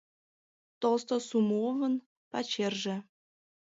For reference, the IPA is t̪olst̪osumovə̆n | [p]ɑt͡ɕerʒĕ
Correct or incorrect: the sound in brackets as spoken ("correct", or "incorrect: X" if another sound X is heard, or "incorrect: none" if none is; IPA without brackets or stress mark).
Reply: correct